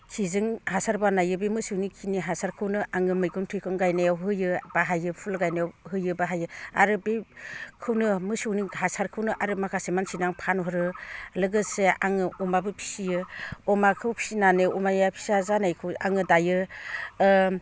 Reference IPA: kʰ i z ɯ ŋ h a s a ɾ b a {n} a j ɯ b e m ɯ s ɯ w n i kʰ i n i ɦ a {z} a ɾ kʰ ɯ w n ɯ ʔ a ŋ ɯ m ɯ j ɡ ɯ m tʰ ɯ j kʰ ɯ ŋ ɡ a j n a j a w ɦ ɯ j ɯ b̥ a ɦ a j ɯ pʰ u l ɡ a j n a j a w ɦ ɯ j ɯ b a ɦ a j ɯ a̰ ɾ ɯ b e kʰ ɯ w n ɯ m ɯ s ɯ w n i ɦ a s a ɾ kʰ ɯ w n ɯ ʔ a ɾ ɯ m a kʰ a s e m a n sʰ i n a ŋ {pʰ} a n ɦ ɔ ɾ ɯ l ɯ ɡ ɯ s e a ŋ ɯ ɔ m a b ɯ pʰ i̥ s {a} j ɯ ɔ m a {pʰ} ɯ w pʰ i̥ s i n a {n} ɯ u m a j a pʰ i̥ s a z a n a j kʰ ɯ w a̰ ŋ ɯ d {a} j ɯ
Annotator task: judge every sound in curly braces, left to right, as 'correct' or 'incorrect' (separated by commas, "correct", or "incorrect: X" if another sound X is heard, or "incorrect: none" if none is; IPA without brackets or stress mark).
correct, incorrect: s, correct, incorrect: i, incorrect: kʰ, correct, correct